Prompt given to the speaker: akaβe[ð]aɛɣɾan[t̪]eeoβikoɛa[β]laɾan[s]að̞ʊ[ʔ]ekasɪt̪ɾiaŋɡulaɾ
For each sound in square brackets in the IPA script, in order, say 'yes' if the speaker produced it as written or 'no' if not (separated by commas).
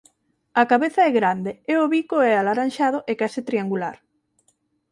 no, no, no, no, yes